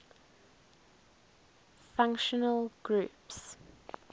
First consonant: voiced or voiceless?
voiceless